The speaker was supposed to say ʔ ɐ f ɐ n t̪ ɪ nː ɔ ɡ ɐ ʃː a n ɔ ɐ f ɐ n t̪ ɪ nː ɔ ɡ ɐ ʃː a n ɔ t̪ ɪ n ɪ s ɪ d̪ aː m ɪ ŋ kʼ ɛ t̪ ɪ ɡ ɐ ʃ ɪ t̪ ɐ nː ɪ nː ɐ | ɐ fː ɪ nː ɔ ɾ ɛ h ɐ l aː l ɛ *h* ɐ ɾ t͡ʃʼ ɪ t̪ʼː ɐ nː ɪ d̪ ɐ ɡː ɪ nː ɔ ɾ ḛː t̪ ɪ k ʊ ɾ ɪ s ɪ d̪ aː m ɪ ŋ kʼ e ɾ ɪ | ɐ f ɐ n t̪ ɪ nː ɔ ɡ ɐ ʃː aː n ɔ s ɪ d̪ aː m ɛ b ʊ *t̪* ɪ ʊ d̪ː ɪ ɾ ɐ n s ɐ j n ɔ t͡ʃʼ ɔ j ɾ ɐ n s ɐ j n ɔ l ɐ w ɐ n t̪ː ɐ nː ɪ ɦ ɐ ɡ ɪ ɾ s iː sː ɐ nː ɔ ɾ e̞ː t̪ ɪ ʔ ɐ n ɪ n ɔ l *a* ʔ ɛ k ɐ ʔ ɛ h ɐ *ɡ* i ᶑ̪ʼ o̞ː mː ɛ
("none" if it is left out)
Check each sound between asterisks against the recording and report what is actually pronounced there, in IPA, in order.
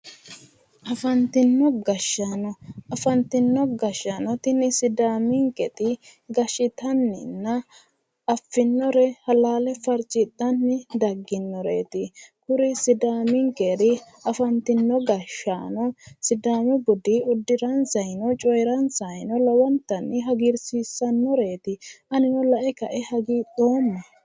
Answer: f, d̪, ɐ, ɡ

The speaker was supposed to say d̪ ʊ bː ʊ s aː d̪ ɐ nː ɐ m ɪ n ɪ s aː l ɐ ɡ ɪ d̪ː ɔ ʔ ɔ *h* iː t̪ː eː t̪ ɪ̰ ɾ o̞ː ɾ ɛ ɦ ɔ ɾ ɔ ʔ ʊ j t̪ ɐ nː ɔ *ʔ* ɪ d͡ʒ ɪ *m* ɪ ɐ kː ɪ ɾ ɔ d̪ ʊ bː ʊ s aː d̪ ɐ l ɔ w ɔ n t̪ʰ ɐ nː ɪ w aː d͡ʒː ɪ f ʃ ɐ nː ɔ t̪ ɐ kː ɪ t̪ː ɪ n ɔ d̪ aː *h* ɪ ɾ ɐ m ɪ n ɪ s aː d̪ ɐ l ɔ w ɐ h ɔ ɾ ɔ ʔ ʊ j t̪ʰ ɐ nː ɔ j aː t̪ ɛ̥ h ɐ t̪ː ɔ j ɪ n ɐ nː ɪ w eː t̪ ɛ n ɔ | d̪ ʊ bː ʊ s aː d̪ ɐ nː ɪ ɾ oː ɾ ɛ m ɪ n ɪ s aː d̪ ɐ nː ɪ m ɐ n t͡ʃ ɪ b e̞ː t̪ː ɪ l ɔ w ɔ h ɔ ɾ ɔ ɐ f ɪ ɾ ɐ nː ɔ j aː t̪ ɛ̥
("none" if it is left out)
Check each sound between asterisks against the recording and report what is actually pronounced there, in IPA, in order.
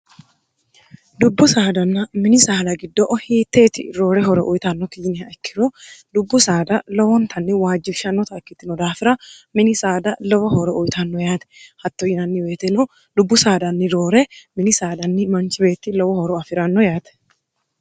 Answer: h, k, n, f

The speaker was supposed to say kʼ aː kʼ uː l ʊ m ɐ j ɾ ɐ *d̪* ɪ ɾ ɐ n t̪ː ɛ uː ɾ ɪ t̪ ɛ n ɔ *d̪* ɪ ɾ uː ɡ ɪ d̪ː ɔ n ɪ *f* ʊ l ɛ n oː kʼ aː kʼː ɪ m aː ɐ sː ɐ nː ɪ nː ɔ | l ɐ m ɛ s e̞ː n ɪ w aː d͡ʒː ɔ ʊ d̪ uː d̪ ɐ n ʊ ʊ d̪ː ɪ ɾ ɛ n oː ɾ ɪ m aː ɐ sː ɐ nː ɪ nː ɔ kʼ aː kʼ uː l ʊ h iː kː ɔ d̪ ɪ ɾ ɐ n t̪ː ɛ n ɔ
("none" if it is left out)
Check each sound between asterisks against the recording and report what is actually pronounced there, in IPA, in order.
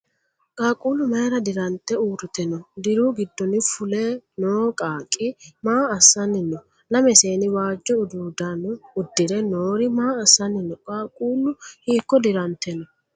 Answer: d̪, d̪, f

